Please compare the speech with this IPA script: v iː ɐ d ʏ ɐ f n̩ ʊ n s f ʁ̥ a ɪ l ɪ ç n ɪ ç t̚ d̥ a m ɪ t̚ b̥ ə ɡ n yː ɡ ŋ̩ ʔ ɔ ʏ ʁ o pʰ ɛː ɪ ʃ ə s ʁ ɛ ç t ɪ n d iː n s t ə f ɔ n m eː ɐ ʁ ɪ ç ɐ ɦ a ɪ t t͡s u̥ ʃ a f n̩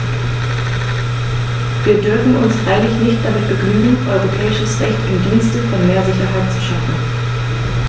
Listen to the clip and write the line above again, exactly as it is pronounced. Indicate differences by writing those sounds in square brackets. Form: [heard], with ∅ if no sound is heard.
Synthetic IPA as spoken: v iː ɐ d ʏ ɐ f n̩ ʊ n s f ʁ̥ a ɪ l ɪ ç n ɪ ç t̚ d̥ a m ɪ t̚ b̥ ə ɡ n yː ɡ ŋ̩ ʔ ɔ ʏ ʁ o pʰ ɛː ɪ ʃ ə s ʁ ɛ ç t ɪ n d iː n s t ə f ɔ n m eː ɐ [z] ɪ ç ɐ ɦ a ɪ t t͡s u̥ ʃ a f n̩